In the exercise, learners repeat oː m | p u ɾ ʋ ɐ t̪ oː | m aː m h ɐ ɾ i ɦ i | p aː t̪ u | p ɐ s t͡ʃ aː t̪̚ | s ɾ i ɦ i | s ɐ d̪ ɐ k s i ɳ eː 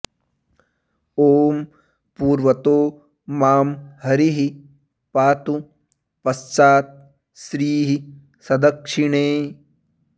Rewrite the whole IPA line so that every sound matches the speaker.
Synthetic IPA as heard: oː m | p uː ɾ ʋ ɐ t̪ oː | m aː m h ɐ ɾ i ɦ i | p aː t̪ u | p ɐ s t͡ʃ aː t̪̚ | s ɾ iː ɦ i | s ɐ d̪ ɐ k ʂ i ɳ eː